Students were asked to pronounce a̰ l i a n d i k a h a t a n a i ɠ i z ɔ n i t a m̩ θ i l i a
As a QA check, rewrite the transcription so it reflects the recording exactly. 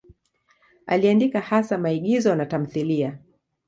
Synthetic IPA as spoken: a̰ l i a n d i k a h a s a m a i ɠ i z ɔ n a t a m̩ θ i l i a